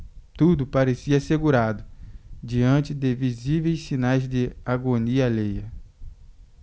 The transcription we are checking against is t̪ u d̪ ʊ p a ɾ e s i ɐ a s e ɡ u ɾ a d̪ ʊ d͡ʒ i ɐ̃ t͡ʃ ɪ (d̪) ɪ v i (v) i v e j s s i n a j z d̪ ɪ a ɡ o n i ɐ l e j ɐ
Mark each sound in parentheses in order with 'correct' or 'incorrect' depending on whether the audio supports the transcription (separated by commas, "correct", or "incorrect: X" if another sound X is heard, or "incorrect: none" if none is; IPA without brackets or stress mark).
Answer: correct, incorrect: z